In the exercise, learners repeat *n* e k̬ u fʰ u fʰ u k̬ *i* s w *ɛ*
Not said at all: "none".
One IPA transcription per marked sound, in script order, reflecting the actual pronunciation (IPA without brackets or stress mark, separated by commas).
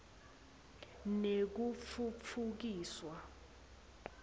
n, iː, a